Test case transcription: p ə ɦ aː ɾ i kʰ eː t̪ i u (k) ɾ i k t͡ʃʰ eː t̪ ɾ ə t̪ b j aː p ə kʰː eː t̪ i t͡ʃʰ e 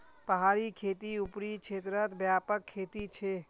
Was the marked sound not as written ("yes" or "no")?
yes